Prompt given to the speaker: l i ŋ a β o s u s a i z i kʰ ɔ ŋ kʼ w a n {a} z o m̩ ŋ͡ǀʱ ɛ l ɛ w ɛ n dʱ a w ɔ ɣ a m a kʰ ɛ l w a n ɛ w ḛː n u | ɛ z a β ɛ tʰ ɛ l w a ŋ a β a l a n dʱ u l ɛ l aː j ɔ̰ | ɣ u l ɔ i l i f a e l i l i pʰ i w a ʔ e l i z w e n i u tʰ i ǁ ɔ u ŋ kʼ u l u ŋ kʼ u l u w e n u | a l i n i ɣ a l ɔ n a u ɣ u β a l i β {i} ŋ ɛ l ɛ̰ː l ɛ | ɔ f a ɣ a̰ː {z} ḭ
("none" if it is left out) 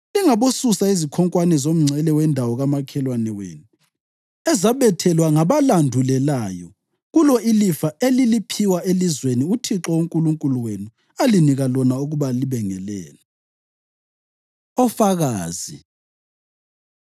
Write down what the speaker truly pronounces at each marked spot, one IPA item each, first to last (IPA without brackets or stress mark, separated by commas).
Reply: ɛ, ɛ, z